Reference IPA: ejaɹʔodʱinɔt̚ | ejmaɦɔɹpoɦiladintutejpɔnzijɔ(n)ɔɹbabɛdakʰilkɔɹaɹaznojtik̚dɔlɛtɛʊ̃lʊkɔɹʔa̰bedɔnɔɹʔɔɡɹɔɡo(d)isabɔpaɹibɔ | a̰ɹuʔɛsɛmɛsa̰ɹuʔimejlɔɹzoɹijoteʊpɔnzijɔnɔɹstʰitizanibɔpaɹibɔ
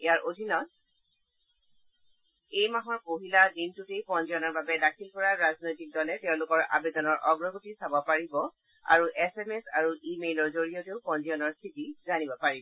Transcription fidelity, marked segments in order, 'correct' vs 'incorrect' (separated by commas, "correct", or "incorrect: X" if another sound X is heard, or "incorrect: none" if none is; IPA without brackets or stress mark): correct, incorrect: t